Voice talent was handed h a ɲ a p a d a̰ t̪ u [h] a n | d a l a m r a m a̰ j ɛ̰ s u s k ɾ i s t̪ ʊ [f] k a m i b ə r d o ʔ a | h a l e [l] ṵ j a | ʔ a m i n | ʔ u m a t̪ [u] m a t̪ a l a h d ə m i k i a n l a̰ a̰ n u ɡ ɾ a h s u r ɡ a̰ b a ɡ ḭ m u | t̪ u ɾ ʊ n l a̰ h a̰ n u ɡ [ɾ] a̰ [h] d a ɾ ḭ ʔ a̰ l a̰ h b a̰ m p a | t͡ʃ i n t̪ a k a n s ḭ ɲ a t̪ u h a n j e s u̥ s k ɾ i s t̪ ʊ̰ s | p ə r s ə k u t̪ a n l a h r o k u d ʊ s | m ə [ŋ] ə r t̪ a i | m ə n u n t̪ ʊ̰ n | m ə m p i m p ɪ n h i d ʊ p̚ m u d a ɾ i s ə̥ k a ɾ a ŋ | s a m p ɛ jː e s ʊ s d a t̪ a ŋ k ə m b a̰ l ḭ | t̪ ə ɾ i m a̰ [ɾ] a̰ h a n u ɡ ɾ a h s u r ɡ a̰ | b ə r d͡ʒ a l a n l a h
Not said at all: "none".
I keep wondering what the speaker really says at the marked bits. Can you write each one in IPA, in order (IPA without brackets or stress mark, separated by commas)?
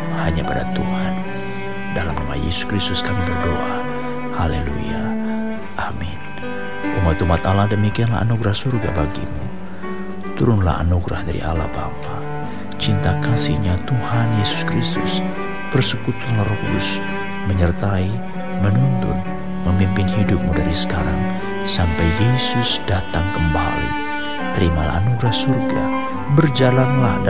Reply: h, s, l, u, ɾ, h, ɲ, l